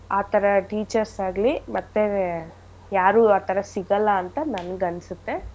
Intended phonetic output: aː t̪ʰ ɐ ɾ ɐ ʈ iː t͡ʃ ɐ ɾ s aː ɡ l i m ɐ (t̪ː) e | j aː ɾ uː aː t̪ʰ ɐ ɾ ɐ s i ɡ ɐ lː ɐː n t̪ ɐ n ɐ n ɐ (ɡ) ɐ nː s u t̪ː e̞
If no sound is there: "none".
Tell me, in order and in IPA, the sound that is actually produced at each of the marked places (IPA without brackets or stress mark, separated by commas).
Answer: t̪ː, ɡ